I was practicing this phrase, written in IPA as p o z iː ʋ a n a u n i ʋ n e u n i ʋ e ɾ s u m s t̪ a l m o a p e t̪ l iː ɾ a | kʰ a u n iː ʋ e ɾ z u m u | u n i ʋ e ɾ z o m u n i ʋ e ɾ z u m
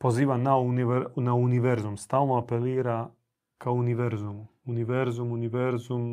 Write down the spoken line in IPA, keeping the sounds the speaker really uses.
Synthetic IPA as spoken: p o z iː ʋ a n a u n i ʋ n a u n i ʋ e ɾ z u m s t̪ a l n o a p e l iː ɾ a | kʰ a u n i ʋ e ɾ z u m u | u n i ʋ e ɾ z u m u n i ʋ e ɾ z u m